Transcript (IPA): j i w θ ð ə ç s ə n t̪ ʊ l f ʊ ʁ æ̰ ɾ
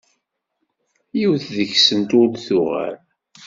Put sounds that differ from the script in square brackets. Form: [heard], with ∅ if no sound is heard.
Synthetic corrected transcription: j i w θ ð ə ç s ə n t̪ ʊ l [θ] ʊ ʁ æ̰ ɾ